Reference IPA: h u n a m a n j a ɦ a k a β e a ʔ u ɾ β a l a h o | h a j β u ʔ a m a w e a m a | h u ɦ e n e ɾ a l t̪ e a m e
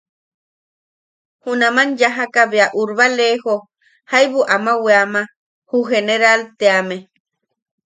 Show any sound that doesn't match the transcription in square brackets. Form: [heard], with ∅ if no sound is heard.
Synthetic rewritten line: h u n a m a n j a ɦ a k a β e a ʔ u ɾ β a l [e] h o | h a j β u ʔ a m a w e a m a | h u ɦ e n e ɾ a l t̪ e a m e